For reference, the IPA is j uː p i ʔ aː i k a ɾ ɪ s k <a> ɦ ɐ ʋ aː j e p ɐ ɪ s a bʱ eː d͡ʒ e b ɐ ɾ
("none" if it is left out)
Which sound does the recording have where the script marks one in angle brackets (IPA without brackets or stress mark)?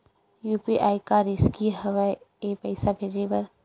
i